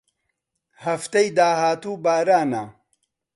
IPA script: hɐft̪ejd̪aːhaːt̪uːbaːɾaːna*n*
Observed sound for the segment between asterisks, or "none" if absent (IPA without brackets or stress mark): none